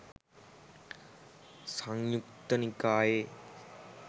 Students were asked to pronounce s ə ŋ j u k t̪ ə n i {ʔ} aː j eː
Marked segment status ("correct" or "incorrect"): incorrect